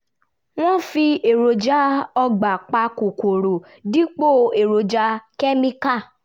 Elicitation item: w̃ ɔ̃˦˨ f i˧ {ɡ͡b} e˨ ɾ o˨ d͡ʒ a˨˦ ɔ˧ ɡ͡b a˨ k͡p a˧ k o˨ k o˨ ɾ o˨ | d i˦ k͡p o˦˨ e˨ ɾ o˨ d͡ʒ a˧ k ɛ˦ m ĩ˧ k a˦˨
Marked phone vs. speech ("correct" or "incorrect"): incorrect